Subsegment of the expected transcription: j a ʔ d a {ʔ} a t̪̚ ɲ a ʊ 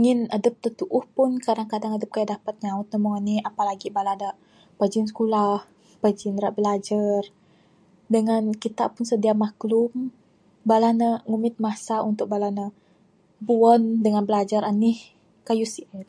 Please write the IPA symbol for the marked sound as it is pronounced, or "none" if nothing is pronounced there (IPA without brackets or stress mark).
p